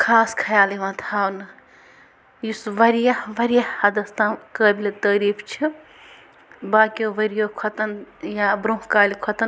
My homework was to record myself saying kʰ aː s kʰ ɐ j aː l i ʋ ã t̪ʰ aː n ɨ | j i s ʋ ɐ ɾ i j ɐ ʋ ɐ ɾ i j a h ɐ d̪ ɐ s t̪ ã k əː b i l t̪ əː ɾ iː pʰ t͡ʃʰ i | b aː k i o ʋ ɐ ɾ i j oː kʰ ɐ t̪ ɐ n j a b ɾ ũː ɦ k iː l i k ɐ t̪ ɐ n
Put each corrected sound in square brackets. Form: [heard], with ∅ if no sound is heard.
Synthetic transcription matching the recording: kʰ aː s kʰ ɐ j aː l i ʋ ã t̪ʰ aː n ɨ | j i s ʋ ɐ ɾ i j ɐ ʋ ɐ ɾ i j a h ɐ d̪ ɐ s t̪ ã k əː b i l t̪ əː ɾ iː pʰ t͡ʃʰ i | b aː k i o ʋ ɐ ɾ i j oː kʰ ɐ t̪ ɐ n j a b ɾ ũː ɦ k [aː] l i [kʰ] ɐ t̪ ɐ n

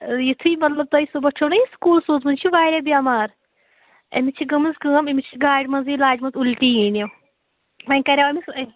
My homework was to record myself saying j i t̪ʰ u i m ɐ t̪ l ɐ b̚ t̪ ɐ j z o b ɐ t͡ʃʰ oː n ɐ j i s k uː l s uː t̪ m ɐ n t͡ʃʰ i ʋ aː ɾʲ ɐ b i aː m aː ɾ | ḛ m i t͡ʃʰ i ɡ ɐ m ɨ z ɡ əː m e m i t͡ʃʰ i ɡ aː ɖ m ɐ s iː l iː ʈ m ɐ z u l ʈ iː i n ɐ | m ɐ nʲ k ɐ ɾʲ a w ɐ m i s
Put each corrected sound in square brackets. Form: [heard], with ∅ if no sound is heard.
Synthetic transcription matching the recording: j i t̪ʰ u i m ɐ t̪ l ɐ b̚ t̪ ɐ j [s] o b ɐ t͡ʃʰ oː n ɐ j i s k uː l s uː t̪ m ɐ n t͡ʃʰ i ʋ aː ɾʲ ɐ b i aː m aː ɾ | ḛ m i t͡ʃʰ i ɡ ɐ m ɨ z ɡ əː m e m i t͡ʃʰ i ɡ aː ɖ m ɐ [z] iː l [aː] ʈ m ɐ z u l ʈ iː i n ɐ | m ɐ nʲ k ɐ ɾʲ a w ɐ m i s

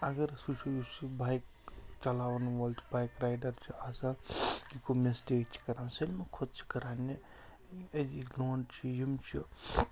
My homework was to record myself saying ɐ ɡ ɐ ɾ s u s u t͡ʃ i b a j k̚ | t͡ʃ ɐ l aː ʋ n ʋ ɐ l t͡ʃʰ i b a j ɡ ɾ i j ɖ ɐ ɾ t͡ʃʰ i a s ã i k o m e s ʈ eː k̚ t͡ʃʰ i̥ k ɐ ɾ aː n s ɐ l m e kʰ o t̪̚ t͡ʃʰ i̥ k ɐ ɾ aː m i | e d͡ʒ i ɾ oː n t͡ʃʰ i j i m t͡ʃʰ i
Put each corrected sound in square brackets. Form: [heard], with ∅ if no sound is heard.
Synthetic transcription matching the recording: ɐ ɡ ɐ ɾ s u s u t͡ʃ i b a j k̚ | t͡ʃ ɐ l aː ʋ n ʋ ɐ l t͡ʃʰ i b a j [k] ɾ [a] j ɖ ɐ ɾ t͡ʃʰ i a s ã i k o m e s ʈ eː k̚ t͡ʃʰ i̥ k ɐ ɾ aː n s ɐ l m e kʰ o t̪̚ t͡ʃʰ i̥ k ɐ ɾ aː [n] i | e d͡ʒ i [l] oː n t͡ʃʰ i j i m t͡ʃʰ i

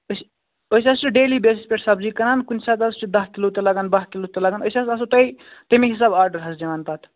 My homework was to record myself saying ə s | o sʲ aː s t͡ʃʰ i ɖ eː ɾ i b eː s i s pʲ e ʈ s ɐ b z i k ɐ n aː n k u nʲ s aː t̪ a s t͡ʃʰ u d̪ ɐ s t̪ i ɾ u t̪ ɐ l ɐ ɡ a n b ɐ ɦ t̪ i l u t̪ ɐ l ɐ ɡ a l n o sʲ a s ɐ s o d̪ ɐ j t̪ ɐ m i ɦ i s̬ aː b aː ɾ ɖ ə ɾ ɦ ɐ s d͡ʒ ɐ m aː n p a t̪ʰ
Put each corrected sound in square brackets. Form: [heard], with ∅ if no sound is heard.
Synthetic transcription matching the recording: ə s | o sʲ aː s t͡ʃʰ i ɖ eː [l] i b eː s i s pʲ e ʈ s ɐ b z i k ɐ n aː n k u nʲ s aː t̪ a s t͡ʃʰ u d̪ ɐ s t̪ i [l] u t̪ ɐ l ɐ ɡ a n b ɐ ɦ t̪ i l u t̪ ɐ l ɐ ɡ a [∅] n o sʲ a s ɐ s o [t̪] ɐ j t̪ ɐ m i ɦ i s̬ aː b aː ɾ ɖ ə ɾ ɦ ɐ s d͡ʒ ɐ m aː n p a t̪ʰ

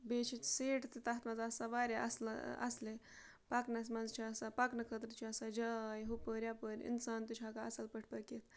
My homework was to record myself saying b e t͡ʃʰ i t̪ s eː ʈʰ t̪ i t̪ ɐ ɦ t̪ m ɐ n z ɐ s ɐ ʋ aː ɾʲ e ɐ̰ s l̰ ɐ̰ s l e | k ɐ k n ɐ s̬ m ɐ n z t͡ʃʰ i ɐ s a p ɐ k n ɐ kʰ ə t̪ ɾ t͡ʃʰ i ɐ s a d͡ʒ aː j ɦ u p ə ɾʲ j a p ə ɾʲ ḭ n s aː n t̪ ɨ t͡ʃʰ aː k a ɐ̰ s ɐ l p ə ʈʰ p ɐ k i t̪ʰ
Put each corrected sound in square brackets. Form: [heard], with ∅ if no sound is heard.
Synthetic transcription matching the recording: b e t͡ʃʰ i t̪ s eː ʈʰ t̪ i t̪ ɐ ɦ t̪ m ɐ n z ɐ s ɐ ʋ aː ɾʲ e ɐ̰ s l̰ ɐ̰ s l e | [p] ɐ k n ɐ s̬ m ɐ n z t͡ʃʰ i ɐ s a p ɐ k n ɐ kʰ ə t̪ ɾ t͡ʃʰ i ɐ s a d͡ʒ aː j ɦ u p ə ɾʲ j a p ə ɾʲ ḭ n s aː n t̪ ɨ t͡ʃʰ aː k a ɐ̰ s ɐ l p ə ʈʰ p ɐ k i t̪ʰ

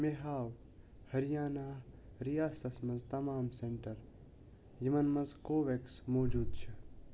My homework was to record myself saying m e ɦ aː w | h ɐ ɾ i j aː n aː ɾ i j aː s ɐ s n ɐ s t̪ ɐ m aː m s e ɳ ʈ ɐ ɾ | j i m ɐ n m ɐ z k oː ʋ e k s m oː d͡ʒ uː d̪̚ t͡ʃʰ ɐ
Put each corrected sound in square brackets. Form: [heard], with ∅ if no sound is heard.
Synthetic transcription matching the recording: m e ɦ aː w | h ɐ ɾ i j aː n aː ɾ i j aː s ɐ s [m] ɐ [z] t̪ ɐ m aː m s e ɳ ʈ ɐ ɾ | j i m ɐ n m ɐ z k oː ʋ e k s m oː d͡ʒ uː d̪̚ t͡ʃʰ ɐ

